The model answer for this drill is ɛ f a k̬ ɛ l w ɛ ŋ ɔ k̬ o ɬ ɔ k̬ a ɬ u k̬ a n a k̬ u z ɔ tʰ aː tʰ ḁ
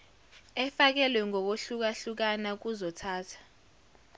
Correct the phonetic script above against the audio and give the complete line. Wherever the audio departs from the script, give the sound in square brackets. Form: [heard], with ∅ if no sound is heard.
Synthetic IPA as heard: ɛ f a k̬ ɛ l w ɛ ŋ ɔ k̬ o ɬ [u] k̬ a ɬ u k̬ a n a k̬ u z ɔ tʰ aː tʰ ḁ